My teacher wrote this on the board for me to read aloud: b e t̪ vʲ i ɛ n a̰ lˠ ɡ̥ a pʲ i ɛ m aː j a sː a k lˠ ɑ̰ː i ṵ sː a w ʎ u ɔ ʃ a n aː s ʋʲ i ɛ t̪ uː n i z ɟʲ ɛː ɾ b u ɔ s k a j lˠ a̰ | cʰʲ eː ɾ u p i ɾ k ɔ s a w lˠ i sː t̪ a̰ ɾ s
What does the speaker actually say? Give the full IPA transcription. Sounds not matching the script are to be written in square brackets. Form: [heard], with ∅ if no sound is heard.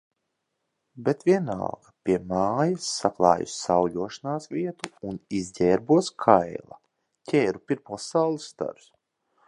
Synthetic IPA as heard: b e t̪ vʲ i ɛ n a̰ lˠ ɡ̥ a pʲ i ɛ m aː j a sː a k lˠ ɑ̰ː [j] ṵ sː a w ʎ u ɔ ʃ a n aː s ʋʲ i ɛ t̪ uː n i z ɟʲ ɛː ɾ b u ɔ s [kʰ] a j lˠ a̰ | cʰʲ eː ɾ u p i ɾ [p] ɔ s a w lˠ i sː t̪ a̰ ɾ s

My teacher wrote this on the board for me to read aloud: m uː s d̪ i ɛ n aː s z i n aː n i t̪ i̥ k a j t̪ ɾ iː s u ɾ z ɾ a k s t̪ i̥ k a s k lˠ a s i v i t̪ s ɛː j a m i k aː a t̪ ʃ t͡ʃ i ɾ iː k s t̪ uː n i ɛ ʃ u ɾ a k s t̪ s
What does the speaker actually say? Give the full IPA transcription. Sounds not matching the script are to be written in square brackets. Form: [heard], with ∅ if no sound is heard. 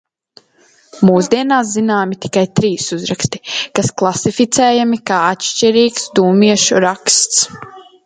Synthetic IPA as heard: m uː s d̪ i ɛ n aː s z i n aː [m] i t̪ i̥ k a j t̪ ɾ iː s u [∅] z ɾ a k s t̪ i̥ k a s k lˠ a s i [f] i t̪ s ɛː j a m i k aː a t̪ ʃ t͡ʃ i ɾ iː k s [d̪] uː [m] i ɛ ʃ u ɾ a k s t̪ s

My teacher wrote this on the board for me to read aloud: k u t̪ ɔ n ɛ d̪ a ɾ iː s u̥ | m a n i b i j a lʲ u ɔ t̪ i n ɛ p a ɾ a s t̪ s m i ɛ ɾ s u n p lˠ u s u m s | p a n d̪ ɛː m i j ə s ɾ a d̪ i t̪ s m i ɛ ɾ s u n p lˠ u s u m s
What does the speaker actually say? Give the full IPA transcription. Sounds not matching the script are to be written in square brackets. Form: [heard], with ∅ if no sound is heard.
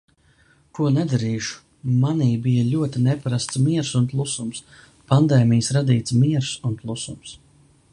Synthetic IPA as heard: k u [∅] ɔ n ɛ d̪ a ɾ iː [ʃ] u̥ | m a n [iː] b i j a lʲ u ɔ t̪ i n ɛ p a ɾ a s t̪ s m i ɛ ɾ s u n p lˠ u s u m s | p a n d̪ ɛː m i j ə s ɾ a d̪ [iː] t̪ s m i ɛ ɾ s u n p lˠ u s u m s

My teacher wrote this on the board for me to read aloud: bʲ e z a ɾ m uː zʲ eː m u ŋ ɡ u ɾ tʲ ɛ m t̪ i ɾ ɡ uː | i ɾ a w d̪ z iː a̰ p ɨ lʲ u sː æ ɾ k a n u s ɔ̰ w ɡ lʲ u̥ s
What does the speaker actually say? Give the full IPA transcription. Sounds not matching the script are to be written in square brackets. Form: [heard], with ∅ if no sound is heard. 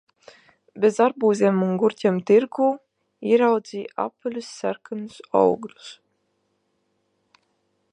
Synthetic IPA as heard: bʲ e z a ɾ [b] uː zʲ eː m u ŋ ɡ u ɾ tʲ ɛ m t̪ i ɾ ɡ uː | i ɾ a w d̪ z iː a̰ p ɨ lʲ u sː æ ɾ k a n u s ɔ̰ w ɡ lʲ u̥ s

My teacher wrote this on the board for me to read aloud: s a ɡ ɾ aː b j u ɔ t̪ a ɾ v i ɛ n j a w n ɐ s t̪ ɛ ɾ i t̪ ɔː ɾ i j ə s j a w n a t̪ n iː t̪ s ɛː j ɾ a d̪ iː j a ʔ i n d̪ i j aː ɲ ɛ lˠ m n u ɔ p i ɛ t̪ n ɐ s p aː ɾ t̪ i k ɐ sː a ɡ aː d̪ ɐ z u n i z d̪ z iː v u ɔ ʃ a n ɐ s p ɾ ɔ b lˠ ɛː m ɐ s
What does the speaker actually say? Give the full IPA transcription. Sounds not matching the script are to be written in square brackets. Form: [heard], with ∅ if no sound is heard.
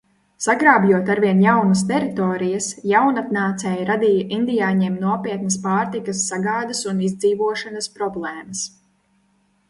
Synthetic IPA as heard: s a ɡ ɾ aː b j u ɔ t̪ a ɾ v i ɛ n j a w n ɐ s t̪ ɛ ɾ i t̪ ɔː ɾ i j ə s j a w n a t̪ n [aː] t̪ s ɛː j ɾ a d̪ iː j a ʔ i n d̪ i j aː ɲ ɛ [∅] m n u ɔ p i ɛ t̪ n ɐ s p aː ɾ t̪ i k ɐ sː a ɡ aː d̪ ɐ [s] u n i z d̪ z iː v u ɔ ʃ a n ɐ s p ɾ ɔ b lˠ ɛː m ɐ s

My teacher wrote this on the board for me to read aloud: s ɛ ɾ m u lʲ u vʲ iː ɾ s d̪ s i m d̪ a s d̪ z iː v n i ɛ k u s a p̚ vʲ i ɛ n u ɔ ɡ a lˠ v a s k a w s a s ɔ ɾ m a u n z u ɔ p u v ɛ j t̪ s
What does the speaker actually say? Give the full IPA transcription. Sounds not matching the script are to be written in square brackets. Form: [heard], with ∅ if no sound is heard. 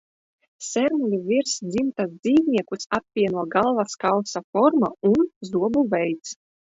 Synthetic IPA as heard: s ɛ ɾ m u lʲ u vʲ [i] ɾ s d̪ [z] i m [t̪] a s d̪ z iː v n i ɛ k u s a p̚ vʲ i ɛ n u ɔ ɡ a lˠ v a s k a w s a [f] ɔ ɾ m a u n z u ɔ [b] u v ɛ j t̪ s

